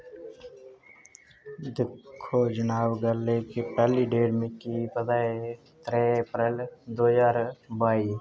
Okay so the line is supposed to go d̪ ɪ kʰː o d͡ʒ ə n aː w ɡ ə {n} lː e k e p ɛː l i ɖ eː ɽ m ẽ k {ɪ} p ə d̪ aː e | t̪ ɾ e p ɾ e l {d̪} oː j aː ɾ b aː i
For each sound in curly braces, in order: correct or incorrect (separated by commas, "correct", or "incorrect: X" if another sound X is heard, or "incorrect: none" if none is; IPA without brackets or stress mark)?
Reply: incorrect: none, incorrect: i, correct